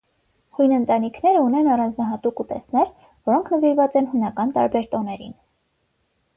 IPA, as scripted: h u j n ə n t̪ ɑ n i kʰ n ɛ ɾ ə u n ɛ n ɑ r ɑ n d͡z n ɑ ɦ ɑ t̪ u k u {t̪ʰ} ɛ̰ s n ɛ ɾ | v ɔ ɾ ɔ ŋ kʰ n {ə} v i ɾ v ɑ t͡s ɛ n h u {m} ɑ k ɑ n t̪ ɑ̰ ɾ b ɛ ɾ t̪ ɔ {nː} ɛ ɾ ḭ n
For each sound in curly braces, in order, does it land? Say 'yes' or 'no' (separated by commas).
no, yes, no, no